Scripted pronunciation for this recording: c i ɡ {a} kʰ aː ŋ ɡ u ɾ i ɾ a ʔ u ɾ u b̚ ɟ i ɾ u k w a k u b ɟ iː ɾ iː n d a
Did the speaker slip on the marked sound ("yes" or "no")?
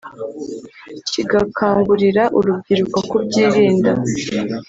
no